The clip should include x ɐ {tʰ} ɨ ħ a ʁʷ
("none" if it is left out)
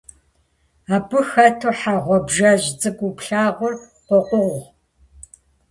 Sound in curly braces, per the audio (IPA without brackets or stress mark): tʰ